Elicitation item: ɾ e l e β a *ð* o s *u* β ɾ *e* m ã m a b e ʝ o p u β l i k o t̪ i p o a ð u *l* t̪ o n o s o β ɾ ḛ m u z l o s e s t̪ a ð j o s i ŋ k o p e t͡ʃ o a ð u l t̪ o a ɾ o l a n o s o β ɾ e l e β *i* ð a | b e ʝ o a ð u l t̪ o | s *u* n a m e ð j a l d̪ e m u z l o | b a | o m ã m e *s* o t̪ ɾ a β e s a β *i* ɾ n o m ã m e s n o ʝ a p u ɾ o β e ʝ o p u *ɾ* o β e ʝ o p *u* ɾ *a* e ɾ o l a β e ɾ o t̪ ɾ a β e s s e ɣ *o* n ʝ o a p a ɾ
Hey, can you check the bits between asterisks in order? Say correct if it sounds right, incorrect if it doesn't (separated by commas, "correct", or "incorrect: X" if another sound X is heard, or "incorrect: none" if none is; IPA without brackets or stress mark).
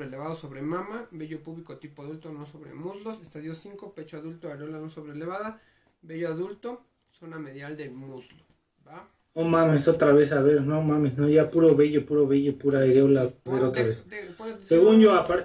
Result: correct, incorrect: o, correct, correct, incorrect: a, incorrect: o, correct, incorrect: e, correct, correct, correct, incorrect: u